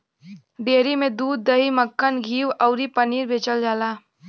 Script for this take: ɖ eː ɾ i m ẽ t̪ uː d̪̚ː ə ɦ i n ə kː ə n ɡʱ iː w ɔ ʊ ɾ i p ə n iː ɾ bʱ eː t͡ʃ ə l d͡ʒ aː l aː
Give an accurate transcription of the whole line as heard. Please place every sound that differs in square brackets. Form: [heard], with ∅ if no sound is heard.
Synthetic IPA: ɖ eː ɾ i m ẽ [d̪] uː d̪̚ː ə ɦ i [m] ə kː ə n ɡʱ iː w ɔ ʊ ɾ i p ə n iː ɾ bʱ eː t͡ʃ ə l d͡ʒ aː l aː